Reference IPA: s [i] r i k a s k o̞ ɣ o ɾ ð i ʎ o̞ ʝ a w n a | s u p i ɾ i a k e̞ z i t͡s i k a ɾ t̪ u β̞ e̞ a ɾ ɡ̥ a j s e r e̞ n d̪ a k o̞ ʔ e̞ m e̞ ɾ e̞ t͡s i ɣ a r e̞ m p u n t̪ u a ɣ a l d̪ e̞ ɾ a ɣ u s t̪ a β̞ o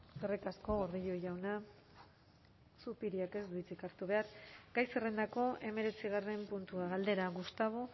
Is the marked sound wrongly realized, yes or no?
yes